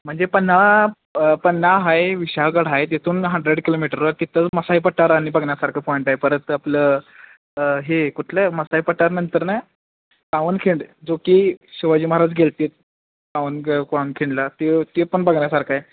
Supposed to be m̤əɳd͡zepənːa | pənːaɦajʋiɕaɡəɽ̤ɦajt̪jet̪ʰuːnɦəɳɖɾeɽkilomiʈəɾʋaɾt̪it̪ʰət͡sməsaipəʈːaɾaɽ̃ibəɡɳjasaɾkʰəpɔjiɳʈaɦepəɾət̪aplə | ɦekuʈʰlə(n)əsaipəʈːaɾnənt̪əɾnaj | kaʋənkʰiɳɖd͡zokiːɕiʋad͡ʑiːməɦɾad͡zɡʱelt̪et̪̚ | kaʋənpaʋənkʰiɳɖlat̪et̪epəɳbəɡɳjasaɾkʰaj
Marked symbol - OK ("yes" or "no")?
no